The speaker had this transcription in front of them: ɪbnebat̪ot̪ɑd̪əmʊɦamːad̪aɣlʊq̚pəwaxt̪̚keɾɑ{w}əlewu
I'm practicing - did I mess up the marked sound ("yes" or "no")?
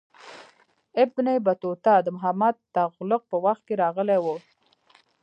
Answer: yes